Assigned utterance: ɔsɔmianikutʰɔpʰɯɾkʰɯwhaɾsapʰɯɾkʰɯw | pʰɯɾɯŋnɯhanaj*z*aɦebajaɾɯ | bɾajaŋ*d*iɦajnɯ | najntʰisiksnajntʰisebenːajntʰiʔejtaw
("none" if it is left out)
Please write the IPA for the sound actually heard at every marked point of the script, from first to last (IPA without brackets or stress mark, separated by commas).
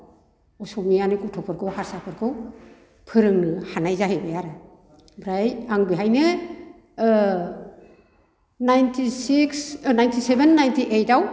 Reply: z, b